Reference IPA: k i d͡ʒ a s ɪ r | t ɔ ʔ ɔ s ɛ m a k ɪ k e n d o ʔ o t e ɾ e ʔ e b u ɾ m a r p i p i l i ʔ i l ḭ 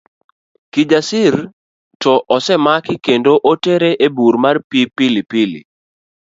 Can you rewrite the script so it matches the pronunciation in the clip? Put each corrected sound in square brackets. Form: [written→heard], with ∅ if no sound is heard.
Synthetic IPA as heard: k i d͡ʒ a s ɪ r | t ɔ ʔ ɔ s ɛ m a k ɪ k e n d o ʔ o t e ɾ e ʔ e b u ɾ m a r p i p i l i [ʔ→p] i l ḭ